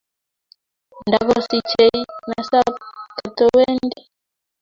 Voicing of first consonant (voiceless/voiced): voiced